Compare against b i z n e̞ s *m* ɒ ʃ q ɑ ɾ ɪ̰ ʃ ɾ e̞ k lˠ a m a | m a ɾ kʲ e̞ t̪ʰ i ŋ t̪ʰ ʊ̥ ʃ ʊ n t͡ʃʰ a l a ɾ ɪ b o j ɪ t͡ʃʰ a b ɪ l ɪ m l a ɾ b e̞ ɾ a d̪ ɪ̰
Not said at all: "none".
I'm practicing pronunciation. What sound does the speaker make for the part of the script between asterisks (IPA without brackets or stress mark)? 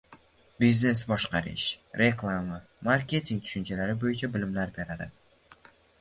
b